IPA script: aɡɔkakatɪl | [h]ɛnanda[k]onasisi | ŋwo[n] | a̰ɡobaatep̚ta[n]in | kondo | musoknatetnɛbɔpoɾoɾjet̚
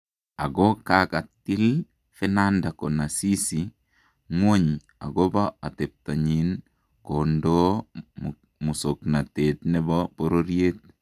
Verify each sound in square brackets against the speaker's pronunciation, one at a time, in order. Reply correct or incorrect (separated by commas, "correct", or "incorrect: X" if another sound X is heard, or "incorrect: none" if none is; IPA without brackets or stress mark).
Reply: incorrect: f, correct, incorrect: ɲ, incorrect: ɲ